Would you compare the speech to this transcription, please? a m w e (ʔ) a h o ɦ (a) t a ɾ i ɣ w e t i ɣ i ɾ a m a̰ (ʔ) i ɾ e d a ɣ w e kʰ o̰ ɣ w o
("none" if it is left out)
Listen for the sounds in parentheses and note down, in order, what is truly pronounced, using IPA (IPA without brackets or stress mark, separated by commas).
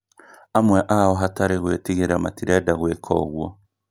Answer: ʔ, a, t